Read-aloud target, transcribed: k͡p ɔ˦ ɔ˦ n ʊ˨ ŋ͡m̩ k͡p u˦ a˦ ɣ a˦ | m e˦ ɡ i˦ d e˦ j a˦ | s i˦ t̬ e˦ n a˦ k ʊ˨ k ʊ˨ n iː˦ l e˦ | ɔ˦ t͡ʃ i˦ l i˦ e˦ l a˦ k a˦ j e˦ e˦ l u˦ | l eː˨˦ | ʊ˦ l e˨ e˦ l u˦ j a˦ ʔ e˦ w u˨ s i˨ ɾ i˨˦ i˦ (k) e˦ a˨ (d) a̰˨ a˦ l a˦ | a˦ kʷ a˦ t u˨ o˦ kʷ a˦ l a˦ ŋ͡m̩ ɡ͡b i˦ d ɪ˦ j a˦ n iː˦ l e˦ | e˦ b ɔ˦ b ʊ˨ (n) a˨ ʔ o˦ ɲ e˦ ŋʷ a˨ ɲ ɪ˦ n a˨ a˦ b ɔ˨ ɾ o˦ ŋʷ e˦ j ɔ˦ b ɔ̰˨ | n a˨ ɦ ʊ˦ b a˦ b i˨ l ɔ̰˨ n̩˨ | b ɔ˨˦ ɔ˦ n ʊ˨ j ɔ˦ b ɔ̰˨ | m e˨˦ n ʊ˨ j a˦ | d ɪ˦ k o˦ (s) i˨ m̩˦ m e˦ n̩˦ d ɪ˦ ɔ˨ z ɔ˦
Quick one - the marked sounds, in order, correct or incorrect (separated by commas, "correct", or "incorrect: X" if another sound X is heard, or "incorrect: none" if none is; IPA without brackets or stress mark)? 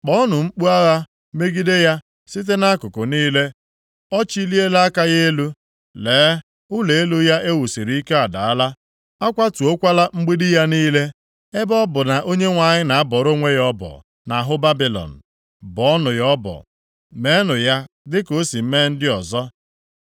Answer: correct, correct, correct, correct